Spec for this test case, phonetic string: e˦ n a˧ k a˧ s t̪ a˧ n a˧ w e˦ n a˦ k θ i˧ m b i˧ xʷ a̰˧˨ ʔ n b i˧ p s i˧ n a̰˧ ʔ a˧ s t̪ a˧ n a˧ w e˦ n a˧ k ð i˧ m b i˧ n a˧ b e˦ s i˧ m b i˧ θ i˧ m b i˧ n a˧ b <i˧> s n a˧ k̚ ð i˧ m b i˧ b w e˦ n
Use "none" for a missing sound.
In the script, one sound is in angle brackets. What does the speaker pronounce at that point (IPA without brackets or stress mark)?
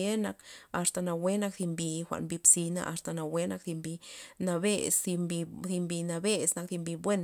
e˧